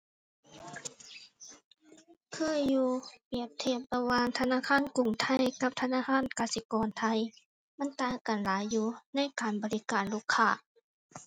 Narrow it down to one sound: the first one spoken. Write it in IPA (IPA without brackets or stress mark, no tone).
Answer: kʰ